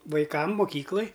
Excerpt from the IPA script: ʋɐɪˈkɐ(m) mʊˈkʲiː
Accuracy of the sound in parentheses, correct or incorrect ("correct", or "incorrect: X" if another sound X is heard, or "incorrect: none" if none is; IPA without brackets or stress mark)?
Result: correct